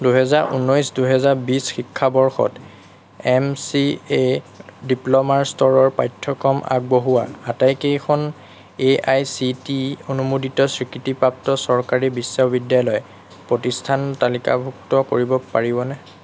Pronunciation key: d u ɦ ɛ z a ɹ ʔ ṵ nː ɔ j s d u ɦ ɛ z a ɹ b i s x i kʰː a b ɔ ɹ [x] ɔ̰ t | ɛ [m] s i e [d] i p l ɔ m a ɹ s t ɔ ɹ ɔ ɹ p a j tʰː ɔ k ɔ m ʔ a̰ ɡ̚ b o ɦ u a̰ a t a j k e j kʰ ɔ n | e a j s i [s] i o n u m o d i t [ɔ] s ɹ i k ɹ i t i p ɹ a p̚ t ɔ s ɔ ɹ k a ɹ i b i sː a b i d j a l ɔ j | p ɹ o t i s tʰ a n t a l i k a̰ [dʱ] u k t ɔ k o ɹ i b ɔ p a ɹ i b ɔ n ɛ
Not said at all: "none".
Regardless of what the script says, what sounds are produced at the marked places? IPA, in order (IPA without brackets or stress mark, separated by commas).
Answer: x, m, d, t, ɔ, bʱ